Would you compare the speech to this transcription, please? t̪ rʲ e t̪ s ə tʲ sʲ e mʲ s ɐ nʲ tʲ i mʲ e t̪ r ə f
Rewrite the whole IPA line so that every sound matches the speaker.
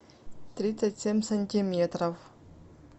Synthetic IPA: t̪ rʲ i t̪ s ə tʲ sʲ e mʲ s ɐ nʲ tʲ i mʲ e t̪ r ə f